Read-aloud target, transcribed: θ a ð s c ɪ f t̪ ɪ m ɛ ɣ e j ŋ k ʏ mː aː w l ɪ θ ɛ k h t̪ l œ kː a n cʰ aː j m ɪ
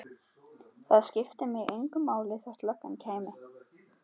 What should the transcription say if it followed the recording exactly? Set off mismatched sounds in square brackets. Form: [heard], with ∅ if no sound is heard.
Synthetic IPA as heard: θ a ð s c ɪ f t̪ ɪ m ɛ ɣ e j ŋ k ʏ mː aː w l ɪ θ ɛ [∅] h t̪ l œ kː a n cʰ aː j m ɪ